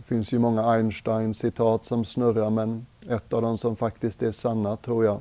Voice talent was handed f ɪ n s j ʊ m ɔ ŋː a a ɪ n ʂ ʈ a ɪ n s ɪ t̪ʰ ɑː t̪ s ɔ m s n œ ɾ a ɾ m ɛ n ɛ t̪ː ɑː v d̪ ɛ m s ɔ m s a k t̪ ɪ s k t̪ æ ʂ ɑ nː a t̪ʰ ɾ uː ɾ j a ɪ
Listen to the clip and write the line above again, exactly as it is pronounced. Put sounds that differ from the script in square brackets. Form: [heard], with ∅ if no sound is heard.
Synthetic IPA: f ɪ n s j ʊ m ɔ ŋː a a ɪ n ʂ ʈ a ɪ n s ɪ t̪ʰ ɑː t̪ s ɔ m s n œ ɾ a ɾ m ɛ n ɛ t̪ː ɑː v d̪ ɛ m s ɔ m [f] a k t̪ ɪ s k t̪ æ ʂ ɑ nː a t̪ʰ ɾ uː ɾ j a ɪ